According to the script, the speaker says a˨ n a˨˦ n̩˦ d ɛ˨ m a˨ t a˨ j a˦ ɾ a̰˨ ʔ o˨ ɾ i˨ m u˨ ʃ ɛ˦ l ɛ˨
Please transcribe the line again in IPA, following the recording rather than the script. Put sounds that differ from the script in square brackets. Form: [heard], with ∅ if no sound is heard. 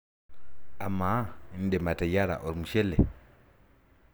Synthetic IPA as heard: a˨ [m] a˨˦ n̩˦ d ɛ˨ m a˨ t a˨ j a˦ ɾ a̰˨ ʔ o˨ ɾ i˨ m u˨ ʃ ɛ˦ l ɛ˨